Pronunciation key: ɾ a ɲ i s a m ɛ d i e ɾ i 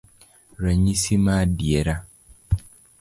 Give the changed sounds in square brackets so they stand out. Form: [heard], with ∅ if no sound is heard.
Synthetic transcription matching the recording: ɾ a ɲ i s [i] m [a] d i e ɾ [a]